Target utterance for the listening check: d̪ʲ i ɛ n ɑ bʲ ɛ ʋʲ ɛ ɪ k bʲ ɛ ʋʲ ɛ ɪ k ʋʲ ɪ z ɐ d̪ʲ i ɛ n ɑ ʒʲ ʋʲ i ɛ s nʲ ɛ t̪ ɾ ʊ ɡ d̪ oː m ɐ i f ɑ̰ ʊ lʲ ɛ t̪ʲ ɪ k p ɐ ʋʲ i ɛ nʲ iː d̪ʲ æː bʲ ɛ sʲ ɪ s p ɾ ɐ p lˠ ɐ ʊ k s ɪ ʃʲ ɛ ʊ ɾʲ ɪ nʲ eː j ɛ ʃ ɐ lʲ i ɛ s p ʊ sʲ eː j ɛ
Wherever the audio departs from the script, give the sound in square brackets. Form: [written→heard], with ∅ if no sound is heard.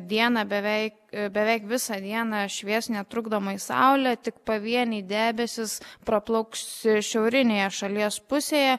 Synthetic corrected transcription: d̪ʲ i ɛ n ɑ bʲ ɛ ʋʲ ɛ ɪ k bʲ ɛ ʋʲ ɛ ɪ k ʋʲ ɪ [z→s] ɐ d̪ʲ i ɛ n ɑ [ʒʲ→ʃʲ] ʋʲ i ɛ s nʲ ɛ t̪ ɾ ʊ ɡ d̪ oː m ɐ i [f→s] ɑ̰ ʊ lʲ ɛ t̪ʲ ɪ k p ɐ ʋʲ i ɛ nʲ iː d̪ʲ æː bʲ ɛ sʲ ɪ s p ɾ ɐ p lˠ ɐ ʊ k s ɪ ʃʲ ɛ ʊ ɾʲ ɪ nʲ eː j ɛ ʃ ɐ lʲ i ɛ s p ʊ sʲ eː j ɛ

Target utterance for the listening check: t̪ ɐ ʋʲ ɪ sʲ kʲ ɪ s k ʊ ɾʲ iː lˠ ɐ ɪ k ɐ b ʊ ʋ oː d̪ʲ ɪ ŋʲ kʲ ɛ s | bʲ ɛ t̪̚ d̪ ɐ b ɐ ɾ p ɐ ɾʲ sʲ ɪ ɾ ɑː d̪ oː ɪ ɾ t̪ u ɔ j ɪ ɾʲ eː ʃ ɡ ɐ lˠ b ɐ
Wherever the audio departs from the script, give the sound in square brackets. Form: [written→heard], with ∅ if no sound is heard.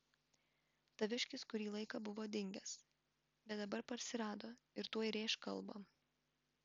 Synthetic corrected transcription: t̪ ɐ ʋʲ ɪ [sʲ→ʃʲ] kʲ ɪ s k ʊ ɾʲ iː lˠ ɐ ɪ k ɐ b ʊ ʋ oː d̪ʲ ɪ ŋʲ [kʲ→ɡʲ] ɛ s | bʲ ɛ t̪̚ d̪ ɐ b ɐ ɾ p ɐ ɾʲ sʲ ɪ ɾ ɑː d̪ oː ɪ ɾ t̪ u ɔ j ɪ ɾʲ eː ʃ [ɡ→k] ɐ lˠ b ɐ

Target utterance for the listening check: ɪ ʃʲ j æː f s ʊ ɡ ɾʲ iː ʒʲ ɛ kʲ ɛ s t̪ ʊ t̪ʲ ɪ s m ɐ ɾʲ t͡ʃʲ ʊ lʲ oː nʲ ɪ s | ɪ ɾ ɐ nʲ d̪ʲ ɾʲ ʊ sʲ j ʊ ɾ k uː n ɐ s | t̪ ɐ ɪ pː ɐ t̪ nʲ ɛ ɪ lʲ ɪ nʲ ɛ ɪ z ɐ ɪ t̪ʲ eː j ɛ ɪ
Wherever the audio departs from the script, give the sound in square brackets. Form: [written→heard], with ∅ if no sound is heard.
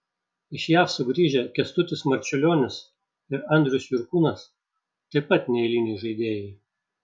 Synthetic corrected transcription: ɪ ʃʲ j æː f s ʊ ɡ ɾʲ iː ʒʲ ɛ kʲ ɛ s t̪ ʊ t̪ʲ ɪ s m ɐ ɾʲ t͡ʃʲ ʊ lʲ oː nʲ ɪ s | ɪ ɾ ɐ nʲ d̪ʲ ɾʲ ʊ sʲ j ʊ ɾ k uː n ɐ s | t̪ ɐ ɪ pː ɐ t̪ nʲ ɛ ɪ lʲ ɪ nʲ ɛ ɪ [z→ʒ] ɐ ɪ [t̪ʲ→d̪ʲ] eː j ɛ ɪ

